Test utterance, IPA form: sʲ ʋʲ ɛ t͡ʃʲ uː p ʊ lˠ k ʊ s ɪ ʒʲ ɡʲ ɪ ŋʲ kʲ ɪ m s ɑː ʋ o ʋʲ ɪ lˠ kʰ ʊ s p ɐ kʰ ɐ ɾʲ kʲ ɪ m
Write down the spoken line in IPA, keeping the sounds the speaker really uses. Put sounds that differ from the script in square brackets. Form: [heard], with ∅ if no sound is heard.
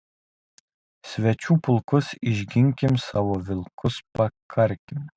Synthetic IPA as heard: sʲ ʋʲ ɛ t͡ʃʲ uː p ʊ lˠ k ʊ s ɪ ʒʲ ɡʲ ɪ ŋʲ kʲ ɪ m s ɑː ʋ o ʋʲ ɪ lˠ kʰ ʊ s p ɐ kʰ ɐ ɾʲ kʲ ɪ m